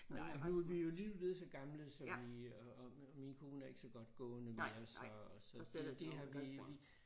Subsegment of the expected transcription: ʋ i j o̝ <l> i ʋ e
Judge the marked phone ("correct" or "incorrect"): correct